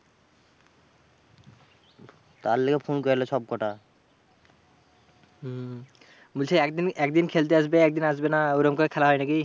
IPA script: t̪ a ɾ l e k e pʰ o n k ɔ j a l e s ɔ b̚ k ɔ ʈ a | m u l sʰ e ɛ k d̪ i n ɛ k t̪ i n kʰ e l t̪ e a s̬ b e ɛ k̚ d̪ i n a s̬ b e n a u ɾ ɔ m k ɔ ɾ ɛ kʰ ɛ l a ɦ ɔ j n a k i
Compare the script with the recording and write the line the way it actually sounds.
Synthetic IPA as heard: t̪ a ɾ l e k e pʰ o n k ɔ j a l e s ɔ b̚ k ɔ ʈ a | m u l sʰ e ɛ k d̪ i n ɛ k d̪ i n kʰ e l t̪ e a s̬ b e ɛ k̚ d̪ i n a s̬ b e n a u ɾ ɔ m k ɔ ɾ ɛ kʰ ɛ l a ɦ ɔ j n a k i